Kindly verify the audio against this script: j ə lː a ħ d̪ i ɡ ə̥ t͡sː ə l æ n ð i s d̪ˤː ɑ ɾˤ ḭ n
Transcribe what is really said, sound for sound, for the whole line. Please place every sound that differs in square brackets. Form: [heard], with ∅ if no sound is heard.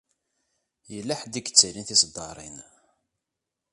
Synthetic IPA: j ə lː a ħ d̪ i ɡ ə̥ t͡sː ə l [i] n [θ] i s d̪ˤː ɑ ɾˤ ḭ n